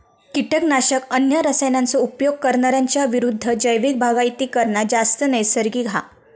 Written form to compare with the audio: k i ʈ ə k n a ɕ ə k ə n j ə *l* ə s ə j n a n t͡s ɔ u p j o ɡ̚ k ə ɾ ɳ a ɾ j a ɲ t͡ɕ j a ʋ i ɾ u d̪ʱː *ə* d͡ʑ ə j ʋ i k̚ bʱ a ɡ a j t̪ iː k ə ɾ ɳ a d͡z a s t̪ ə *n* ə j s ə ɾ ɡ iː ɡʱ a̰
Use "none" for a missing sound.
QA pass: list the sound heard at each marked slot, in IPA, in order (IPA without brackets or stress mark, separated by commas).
ɾ, ə, n